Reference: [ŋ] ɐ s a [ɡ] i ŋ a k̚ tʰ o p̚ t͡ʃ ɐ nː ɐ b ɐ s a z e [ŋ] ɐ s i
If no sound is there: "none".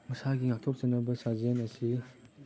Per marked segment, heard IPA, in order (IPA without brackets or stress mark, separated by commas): m, ɡ, n